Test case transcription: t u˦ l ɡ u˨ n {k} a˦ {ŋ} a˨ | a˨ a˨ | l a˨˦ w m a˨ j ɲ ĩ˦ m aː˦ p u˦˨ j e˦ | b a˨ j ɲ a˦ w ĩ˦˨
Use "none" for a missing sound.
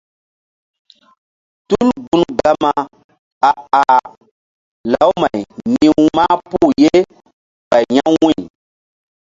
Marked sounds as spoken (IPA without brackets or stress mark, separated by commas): ɡ, m